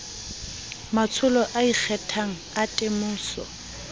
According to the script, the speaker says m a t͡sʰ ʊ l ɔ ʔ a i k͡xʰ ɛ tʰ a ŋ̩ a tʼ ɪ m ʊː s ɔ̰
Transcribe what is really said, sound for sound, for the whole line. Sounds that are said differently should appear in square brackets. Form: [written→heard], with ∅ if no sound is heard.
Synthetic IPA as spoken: m a t͡sʰ ʊ l ɔ ʔ a i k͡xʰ ɛ tʰ a ŋ̩ a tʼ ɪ m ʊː s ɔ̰